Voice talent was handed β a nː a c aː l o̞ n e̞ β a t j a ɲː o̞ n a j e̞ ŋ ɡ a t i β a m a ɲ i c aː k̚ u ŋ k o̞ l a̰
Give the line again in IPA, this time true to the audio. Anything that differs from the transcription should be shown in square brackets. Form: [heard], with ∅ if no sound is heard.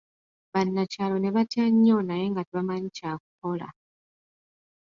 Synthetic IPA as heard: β a nː a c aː l o̞ n e̞ β a t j a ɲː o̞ n a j e̞ ŋ ɡ a t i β a m a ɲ i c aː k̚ u [∅] k o̞ l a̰